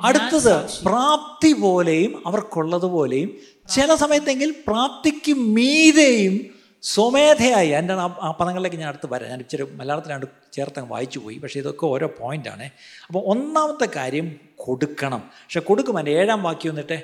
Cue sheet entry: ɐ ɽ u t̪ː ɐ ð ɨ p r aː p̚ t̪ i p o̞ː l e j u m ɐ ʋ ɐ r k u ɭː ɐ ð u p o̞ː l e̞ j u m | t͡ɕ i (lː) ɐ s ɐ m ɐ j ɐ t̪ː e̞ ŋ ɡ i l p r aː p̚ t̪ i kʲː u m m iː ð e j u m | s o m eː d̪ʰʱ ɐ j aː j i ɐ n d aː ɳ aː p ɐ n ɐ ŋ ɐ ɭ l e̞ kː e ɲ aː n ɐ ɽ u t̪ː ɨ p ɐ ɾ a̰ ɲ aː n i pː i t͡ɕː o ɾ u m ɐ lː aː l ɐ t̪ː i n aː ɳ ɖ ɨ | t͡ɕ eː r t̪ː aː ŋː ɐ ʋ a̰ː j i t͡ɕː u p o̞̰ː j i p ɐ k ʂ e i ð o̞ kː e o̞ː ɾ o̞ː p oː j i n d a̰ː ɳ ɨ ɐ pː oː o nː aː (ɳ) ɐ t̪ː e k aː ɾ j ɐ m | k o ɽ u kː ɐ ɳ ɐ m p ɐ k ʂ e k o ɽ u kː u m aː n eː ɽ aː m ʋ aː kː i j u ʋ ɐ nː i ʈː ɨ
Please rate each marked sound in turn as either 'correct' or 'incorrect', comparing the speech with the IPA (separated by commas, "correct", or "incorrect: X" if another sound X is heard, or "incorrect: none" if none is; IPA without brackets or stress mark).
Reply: incorrect: l, incorrect: m